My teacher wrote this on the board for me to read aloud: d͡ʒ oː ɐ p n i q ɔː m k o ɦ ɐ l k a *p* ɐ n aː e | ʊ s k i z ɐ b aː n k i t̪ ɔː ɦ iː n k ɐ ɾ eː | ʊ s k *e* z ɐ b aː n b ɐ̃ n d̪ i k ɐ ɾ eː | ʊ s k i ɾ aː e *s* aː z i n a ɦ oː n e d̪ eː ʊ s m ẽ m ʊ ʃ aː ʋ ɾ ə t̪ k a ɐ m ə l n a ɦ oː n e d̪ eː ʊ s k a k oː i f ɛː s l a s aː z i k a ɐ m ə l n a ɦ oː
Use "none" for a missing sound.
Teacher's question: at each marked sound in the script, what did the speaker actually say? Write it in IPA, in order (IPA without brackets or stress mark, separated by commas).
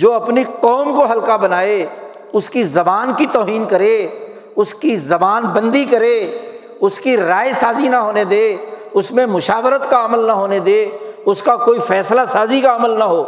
b, i, s